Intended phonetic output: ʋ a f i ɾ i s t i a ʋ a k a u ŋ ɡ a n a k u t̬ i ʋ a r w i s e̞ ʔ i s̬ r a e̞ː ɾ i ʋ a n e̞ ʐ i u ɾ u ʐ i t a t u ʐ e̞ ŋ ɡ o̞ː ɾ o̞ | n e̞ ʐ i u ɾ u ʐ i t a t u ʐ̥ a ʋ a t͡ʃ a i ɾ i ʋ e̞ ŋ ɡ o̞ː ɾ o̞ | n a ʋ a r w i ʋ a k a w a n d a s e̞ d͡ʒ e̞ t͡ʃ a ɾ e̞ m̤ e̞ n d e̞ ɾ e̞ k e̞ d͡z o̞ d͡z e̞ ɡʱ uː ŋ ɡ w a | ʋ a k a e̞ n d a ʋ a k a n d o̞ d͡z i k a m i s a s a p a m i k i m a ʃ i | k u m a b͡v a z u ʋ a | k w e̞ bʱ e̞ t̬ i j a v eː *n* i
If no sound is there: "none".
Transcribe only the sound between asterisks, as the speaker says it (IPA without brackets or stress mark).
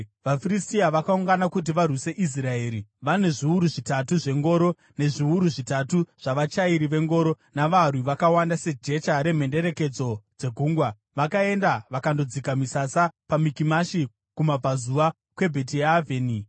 n